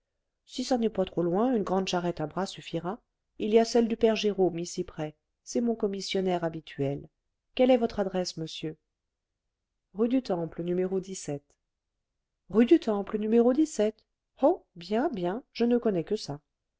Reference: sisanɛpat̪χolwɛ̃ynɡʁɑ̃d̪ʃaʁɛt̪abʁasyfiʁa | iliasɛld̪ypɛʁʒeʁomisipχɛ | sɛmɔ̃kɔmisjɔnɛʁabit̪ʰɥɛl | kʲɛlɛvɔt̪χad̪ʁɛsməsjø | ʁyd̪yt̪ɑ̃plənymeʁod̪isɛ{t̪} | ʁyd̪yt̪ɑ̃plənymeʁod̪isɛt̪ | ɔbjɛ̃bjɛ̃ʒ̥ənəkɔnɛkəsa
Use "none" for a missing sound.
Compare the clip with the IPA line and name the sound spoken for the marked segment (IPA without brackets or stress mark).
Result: t̪